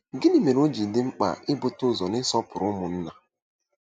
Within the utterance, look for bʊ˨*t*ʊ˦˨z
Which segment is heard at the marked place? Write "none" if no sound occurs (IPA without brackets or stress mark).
t